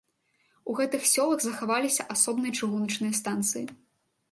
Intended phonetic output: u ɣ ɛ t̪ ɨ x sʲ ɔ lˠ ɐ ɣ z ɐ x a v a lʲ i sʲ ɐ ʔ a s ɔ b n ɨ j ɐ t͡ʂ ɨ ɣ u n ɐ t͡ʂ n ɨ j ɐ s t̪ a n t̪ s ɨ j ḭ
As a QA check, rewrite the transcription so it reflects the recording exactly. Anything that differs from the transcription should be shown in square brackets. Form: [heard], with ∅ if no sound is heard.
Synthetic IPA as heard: u ɣ ɛ t̪ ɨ x sʲ ɔ lˠ ɐ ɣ z ɐ x a v a lʲ i sʲ ɐ ʔ a s ɔ b n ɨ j ɐ t͡ʂ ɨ ɣ u n ɐ t͡ʂ n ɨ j ɐ s t̪ a n t̪ s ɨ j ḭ